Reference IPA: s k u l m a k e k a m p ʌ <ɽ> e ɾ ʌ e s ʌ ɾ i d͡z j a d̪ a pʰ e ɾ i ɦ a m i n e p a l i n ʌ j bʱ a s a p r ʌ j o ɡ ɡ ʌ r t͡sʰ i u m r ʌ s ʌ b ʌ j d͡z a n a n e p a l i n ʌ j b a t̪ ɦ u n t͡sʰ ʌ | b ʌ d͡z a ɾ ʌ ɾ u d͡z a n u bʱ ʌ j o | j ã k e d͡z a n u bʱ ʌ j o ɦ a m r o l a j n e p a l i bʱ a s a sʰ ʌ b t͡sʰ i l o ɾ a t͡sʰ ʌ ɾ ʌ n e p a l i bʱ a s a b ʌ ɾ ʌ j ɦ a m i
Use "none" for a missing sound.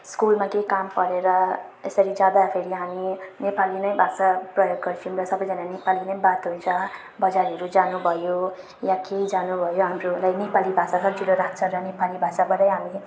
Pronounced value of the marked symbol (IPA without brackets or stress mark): ɾ